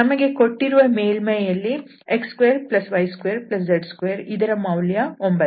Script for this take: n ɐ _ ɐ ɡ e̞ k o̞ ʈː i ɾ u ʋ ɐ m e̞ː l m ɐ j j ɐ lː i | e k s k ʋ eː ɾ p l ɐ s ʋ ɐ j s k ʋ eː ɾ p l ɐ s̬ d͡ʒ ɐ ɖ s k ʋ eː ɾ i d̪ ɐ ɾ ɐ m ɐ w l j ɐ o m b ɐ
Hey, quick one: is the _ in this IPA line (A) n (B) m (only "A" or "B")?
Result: B